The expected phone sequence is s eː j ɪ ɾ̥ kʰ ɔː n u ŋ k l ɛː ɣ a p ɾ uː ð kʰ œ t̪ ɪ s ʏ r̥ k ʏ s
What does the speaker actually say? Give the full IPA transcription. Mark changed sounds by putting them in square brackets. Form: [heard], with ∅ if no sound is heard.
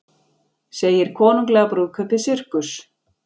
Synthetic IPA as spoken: s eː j ɪ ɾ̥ kʰ ɔː n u ŋ k l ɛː ɣ a p ɾ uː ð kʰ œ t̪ ɪ s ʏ r̥ k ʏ s